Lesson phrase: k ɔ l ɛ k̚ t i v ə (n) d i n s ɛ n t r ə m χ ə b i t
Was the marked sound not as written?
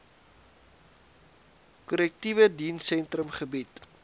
yes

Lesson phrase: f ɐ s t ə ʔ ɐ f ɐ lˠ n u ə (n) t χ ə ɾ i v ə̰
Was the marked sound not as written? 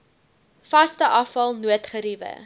yes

